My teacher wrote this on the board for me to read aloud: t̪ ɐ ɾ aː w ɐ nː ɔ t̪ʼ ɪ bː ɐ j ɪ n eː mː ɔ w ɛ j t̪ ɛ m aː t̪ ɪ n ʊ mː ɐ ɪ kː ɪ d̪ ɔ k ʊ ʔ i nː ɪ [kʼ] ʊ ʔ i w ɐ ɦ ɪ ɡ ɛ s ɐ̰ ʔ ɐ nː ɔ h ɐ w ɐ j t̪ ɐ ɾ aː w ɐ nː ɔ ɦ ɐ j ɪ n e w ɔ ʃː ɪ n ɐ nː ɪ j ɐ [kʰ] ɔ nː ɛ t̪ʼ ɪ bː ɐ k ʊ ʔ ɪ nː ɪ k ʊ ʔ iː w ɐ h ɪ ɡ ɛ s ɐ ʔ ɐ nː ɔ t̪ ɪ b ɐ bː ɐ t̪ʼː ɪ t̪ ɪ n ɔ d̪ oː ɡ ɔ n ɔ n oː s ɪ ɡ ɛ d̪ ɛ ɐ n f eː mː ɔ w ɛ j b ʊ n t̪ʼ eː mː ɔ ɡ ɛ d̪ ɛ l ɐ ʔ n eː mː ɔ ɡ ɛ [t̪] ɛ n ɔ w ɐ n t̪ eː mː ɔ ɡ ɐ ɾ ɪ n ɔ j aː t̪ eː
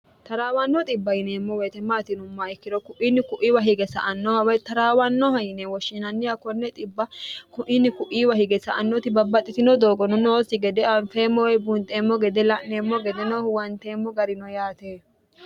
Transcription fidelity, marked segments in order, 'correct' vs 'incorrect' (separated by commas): incorrect, incorrect, incorrect